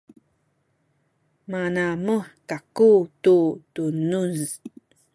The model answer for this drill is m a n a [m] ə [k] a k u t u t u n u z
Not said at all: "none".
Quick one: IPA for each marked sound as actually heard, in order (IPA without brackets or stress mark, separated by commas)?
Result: m, k